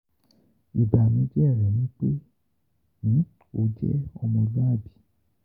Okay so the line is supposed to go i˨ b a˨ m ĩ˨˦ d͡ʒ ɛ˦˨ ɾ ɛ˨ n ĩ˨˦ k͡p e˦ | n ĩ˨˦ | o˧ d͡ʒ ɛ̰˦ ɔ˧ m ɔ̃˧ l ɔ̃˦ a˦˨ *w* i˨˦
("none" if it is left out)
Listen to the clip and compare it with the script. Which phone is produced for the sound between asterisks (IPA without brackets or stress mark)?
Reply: b